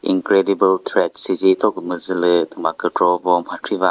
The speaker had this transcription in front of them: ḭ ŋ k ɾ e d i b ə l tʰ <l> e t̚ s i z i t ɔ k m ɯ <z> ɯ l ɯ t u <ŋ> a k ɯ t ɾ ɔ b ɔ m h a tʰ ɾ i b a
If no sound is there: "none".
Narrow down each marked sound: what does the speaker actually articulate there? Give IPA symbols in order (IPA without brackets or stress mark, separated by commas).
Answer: ɾ, z, m